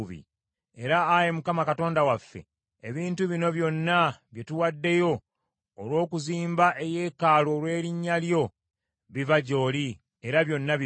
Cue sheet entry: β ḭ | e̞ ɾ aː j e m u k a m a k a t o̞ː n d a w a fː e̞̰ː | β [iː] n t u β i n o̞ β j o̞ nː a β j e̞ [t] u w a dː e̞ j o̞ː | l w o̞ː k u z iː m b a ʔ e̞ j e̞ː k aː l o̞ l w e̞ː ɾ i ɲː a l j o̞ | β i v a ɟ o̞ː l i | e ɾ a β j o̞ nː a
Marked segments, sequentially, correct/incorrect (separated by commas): correct, correct